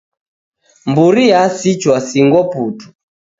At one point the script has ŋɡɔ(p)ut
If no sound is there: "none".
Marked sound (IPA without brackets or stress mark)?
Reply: p